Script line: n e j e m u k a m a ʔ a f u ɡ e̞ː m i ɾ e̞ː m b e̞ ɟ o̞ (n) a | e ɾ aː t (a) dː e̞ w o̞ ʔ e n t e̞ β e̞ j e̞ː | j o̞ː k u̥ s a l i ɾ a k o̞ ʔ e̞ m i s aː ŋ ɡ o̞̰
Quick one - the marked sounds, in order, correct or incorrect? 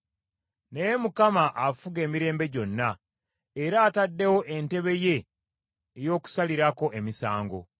incorrect: nː, correct

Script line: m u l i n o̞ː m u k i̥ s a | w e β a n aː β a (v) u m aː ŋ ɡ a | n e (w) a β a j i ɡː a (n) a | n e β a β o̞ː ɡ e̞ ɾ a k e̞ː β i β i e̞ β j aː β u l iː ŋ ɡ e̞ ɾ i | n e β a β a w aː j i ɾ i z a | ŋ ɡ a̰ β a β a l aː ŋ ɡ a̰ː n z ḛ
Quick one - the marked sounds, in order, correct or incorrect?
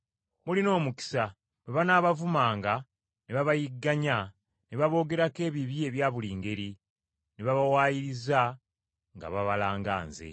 correct, incorrect: β, incorrect: ɲ

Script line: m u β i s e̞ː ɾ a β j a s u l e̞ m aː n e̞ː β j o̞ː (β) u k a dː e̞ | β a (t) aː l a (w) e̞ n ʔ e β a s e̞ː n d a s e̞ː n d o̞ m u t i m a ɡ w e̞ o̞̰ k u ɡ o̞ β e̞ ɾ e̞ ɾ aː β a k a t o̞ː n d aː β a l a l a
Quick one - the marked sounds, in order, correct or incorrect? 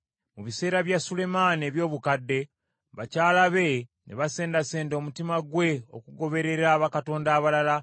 correct, incorrect: c, incorrect: β

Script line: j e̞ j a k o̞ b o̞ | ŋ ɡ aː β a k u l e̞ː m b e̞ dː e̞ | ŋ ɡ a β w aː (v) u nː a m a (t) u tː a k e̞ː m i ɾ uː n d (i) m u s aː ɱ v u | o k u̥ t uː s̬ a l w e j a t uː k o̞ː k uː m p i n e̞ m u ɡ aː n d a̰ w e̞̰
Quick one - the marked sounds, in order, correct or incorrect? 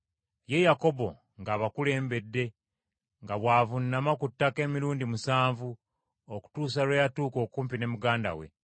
correct, incorrect: k, correct

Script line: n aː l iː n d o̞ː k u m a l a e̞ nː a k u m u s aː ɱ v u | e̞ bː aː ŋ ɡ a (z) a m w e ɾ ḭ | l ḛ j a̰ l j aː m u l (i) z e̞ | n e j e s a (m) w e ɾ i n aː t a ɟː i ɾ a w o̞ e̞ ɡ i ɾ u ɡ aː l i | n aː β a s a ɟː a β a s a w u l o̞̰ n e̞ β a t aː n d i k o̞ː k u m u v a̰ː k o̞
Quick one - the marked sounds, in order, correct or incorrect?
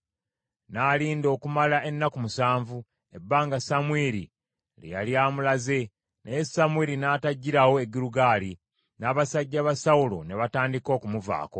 incorrect: s, incorrect: a, correct

